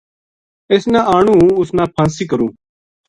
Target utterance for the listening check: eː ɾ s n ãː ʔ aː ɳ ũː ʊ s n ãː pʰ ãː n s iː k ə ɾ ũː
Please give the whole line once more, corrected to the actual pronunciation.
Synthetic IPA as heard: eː s n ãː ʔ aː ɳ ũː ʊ s n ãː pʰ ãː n s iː k ə ɾ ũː